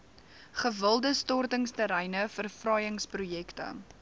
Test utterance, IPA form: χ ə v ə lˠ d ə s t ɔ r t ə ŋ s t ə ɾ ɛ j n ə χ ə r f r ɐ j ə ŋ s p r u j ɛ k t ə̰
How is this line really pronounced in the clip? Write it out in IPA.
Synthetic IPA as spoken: χ ə v ə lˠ d ə s t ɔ r t ə ŋ s t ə ɾ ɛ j n ə f ə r f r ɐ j ə ŋ s p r u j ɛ k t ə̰